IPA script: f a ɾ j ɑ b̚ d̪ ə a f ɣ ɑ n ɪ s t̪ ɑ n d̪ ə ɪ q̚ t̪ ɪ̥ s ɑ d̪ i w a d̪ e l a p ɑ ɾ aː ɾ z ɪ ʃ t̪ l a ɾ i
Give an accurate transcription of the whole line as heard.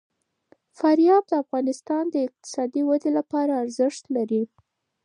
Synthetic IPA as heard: f a ɾ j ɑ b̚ d̪ ə a f ɣ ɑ n ɪ s t̪ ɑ n d̪ ə ɪ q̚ t̪ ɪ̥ s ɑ d̪ i w a d̪ e l a p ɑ ɾ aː ɾ z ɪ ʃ t̪ l a ɾ i